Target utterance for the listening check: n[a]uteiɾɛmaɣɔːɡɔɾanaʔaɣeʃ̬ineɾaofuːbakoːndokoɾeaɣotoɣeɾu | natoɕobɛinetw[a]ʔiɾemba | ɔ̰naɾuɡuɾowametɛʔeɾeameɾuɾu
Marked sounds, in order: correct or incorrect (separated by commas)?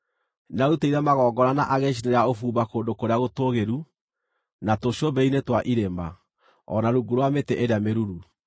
correct, correct